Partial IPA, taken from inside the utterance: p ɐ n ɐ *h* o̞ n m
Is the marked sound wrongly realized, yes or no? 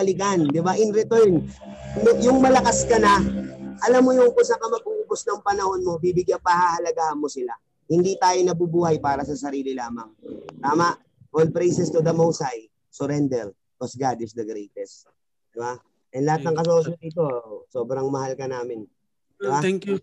no